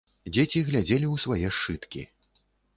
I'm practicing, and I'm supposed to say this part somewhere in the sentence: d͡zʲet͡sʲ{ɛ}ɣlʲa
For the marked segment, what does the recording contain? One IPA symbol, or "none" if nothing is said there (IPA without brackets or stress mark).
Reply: i